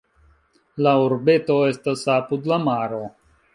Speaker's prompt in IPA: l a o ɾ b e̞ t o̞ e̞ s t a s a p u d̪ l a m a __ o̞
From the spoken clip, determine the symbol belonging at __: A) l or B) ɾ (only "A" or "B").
B